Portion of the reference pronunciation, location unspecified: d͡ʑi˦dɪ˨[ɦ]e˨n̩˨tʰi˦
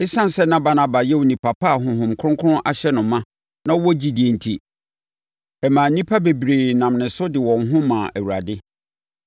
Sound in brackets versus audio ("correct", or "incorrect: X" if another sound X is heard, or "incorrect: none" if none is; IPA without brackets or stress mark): incorrect: none